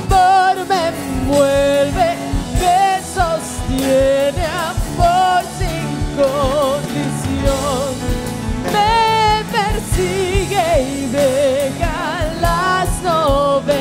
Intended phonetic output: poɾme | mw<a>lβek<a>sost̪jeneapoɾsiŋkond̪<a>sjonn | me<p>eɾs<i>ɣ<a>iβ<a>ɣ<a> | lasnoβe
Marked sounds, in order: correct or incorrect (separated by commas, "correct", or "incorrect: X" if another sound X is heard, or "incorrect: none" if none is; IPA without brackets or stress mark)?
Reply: incorrect: e, incorrect: e, incorrect: i, correct, correct, incorrect: e, incorrect: e, correct